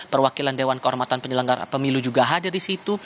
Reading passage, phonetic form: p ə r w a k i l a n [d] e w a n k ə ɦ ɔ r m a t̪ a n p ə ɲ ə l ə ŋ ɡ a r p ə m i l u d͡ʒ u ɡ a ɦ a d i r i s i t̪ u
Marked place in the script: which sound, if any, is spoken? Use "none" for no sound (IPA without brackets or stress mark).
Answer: d